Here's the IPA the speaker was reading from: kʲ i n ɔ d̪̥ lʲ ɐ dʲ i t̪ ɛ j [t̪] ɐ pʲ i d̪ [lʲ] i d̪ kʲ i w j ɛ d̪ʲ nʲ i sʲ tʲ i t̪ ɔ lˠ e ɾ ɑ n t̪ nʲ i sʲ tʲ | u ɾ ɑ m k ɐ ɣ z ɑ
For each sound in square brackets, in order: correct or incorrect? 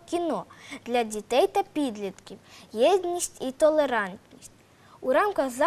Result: correct, correct

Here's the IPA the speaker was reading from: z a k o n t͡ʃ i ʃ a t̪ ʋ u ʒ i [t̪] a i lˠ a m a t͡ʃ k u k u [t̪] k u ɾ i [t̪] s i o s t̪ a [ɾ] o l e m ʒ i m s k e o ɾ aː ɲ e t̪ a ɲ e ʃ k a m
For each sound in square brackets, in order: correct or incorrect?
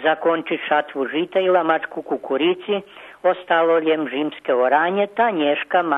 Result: correct, incorrect: none, correct, incorrect: l

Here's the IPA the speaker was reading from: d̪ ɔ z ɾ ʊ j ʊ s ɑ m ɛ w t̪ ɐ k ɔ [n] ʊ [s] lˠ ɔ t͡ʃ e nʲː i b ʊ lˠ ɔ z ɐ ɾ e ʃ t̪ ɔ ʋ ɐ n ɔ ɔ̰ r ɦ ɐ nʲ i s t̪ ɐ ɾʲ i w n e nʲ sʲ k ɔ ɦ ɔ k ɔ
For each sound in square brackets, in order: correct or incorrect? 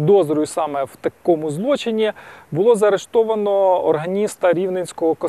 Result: incorrect: m, incorrect: z

